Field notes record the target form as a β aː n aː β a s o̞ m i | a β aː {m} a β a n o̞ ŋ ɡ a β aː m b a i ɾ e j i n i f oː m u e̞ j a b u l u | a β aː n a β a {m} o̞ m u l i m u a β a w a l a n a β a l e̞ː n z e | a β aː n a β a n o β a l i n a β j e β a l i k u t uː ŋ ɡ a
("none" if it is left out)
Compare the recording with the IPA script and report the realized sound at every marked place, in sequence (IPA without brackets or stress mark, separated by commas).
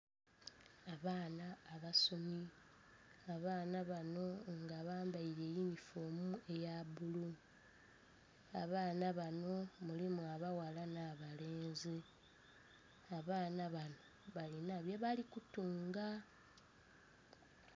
n, n